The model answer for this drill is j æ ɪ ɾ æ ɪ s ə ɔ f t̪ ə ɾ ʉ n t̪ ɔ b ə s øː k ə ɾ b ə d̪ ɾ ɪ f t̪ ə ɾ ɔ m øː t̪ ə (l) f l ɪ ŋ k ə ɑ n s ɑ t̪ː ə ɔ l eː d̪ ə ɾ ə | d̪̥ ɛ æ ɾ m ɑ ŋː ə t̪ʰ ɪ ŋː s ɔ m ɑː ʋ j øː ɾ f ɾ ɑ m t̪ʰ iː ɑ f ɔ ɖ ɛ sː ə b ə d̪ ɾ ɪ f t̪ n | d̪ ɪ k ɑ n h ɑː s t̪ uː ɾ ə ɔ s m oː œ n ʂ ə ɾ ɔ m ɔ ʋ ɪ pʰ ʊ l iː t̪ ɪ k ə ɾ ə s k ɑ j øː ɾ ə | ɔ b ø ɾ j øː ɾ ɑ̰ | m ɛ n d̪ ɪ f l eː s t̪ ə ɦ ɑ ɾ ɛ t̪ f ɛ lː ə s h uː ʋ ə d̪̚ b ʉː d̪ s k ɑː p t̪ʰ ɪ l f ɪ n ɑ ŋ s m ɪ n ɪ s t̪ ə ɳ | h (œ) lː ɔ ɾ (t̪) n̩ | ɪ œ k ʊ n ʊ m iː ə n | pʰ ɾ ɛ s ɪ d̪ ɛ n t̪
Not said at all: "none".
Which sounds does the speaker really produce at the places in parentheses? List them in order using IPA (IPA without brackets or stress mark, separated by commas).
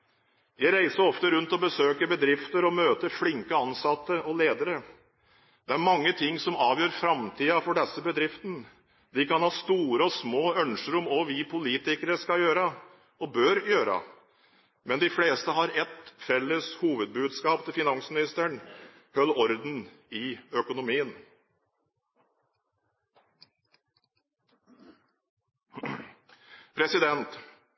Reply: ɾ, œ, d̪